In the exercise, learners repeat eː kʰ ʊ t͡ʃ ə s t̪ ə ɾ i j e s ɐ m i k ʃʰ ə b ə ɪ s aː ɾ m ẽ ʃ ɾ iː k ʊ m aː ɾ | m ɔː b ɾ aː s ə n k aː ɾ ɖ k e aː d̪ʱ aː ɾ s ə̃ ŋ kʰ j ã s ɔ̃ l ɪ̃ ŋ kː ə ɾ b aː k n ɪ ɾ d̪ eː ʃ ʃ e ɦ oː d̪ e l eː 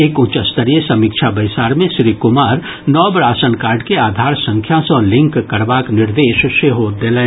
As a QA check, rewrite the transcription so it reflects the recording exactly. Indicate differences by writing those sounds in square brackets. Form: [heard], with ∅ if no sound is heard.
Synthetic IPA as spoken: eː [k] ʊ t͡ʃ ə s t̪ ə ɾ i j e s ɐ m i k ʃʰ [a] b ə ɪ s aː ɾ m ẽ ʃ ɾ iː k ʊ m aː ɾ | [n] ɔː b ɾ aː s ə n k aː ɾ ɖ k e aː d̪ʱ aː ɾ s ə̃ ŋ kʰ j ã s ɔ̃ l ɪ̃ ŋ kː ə ɾ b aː k n ɪ ɾ d̪ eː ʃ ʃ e ɦ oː d̪ e l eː